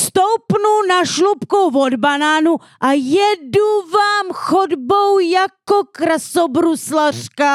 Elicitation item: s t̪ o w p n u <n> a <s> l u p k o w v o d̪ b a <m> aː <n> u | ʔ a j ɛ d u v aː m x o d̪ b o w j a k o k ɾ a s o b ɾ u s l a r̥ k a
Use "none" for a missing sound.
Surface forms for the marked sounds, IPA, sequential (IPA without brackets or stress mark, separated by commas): n, ʃ, n, n